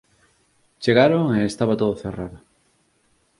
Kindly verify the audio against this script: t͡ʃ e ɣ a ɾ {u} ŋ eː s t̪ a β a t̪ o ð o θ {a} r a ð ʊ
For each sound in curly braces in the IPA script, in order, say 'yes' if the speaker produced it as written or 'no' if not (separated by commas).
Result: no, no